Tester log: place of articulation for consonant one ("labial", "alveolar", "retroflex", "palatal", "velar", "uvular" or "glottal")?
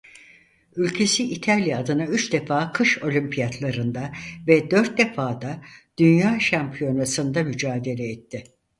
alveolar